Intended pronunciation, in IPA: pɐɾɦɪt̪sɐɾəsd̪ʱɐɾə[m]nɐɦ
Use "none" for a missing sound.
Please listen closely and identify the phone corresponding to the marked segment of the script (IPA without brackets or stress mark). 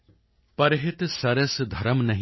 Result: m